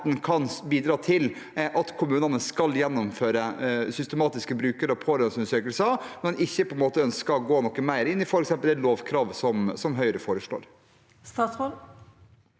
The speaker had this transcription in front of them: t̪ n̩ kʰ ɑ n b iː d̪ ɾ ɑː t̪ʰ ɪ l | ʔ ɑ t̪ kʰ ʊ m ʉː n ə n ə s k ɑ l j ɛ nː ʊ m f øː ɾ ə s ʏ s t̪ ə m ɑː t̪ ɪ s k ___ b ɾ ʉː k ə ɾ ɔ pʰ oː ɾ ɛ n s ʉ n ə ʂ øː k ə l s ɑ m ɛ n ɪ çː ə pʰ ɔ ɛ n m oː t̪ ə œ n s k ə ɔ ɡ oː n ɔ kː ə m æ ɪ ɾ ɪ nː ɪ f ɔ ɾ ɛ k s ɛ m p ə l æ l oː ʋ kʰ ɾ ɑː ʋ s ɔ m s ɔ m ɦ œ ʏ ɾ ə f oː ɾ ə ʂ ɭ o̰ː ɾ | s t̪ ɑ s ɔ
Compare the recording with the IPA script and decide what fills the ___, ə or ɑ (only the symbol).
ə